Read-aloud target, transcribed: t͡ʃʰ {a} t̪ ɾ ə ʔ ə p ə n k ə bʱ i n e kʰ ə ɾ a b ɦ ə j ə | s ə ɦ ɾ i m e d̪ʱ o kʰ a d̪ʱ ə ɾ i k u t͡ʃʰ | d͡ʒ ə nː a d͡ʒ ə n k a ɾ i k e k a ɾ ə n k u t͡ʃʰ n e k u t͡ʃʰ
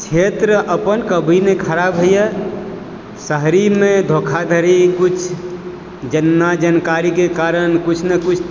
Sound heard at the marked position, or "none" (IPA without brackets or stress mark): e